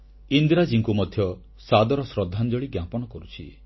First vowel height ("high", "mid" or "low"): high